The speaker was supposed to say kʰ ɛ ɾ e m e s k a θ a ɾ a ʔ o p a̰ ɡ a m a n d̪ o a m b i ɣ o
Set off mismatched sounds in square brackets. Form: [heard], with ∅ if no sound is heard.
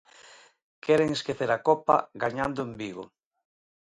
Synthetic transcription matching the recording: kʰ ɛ ɾ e [ŋ] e s k [e] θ [e] ɾ a [k] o p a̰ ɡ a [ɲ] a n d̪ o [e] m b i ɣ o

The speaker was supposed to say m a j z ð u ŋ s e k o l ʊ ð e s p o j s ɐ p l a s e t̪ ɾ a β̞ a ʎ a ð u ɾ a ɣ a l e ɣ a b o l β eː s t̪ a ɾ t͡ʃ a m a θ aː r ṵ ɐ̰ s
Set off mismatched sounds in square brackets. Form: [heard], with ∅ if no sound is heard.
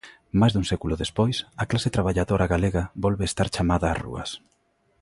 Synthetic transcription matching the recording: m a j z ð u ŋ s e k [u] l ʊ ð e s p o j s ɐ [k] l a s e t̪ ɾ a β̞ a ʎ a ð [o] ɾ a ɣ a l e ɣ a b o l β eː s t̪ a ɾ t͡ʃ a m a [ð] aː r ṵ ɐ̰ s

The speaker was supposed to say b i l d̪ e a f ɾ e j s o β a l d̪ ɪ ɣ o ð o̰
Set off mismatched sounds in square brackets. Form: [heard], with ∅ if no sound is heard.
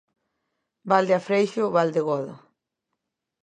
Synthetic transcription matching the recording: b [a] l d̪ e a f ɾ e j [ʃ] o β a l d̪ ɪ ɣ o ð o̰

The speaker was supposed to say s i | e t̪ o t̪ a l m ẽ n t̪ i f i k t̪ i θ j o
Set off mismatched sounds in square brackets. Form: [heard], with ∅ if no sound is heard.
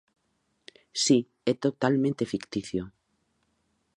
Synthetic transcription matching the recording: s i | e t̪ o t̪ a l m ẽ n t̪ [e] f i k t̪ i θ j o

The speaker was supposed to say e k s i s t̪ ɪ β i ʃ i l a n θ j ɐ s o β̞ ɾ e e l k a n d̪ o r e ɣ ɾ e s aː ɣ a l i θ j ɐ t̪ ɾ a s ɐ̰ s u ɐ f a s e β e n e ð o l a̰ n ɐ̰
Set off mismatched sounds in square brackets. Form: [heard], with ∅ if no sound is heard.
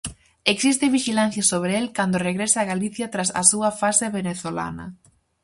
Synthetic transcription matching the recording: e k s i s t̪ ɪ β i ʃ i l a n θ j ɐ s o β̞ ɾ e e l k a n d̪ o r e ɣ ɾ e s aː ɣ a l i θ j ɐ t̪ ɾ a s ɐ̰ s u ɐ f a s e β e n e [θ] o l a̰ n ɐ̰

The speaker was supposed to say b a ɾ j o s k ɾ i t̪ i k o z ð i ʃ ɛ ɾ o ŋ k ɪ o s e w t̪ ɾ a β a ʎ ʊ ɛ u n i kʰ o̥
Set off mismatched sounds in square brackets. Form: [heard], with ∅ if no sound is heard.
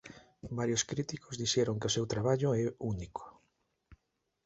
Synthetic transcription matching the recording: b a ɾ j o s k ɾ i t̪ i k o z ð i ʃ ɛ ɾ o ŋ k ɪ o s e w t̪ ɾ a β a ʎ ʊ ɛ u n i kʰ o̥

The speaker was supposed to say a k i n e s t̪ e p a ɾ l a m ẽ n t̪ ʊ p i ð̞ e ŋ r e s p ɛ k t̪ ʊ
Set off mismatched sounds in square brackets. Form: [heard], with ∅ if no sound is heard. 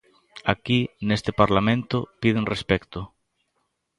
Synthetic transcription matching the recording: a k i n e s t̪ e p a ɾ l a m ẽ n t̪ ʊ p i ð̞ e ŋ r e s p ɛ k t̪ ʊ

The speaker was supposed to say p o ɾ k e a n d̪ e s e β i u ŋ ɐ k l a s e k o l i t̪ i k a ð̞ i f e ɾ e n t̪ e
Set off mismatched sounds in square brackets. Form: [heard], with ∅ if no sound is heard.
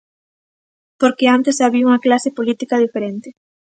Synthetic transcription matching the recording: p o ɾ k e a n [t̪] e s [a] β i u ŋ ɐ k l a s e [p] o l i t̪ i k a ð̞ i f e ɾ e n t̪ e

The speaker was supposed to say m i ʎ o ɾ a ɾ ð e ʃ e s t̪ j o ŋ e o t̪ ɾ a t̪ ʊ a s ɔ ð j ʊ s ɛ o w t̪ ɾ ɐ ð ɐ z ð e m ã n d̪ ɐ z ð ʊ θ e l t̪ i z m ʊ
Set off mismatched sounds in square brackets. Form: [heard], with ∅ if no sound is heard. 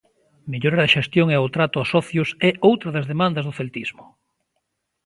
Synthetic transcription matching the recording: m [e] ʎ o ɾ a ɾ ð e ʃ e s t̪ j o ŋ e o t̪ ɾ a t̪ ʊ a s ɔ [θ] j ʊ s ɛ o w t̪ ɾ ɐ ð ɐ z ð e m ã n d̪ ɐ z ð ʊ θ e l t̪ i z m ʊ

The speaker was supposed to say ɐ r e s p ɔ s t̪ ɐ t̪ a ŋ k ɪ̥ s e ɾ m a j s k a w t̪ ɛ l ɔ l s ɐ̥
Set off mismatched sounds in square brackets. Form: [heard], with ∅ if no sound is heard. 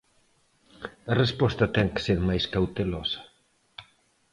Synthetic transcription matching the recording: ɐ r e s p ɔ s t̪ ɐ t̪ [ɛ] ŋ k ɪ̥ s e ɾ m a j s k a w t̪ [e] l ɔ [∅] s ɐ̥

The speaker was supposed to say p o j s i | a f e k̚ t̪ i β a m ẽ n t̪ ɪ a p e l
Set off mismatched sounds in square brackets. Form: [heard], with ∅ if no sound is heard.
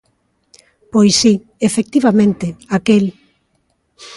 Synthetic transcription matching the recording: p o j s i | [e] f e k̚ t̪ i β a m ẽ n t̪ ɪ a [k] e l

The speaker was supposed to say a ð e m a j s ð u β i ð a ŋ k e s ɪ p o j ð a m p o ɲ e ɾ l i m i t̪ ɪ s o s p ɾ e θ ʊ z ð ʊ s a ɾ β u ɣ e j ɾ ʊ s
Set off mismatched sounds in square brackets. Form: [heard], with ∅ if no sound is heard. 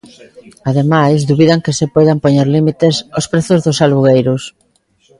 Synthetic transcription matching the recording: a ð e m a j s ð u β i ð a ŋ k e s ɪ p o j ð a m p o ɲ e ɾ l i m i t̪ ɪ s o s p ɾ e θ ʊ z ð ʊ s a [l] β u ɣ e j ɾ ʊ s

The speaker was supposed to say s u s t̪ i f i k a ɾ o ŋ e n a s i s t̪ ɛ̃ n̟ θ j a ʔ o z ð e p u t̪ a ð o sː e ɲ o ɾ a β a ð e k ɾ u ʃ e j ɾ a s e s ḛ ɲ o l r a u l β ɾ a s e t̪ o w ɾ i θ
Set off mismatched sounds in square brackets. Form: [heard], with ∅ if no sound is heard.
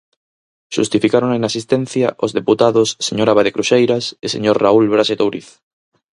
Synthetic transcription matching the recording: [ʃ] u s t̪ i f i k a ɾ o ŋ e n a s i s t̪ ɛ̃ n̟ θ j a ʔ o z ð e p u t̪ a ð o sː e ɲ o ɾ a β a ð e k ɾ u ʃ e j ɾ a s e s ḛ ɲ o [ɾ] r a u l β ɾ a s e t̪ o w ɾ i θ

